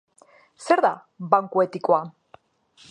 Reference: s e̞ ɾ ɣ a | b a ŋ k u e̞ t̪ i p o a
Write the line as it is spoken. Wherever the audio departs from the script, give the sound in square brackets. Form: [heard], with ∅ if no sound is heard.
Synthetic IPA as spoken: s e̞ ɾ [ð] a | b a ŋ k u e̞ t̪ i [k] o a